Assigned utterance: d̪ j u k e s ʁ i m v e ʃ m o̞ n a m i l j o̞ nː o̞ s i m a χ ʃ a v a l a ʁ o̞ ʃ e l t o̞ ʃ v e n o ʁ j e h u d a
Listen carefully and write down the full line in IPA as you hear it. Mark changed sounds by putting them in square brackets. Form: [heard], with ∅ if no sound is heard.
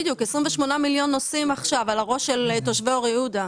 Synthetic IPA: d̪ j u k e s ʁ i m v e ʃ m o̞ n a m i l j o̞ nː o̞ s i m a χ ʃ a v a l a ʁ o̞ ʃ e l t o̞ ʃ v e [∅] o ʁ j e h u d a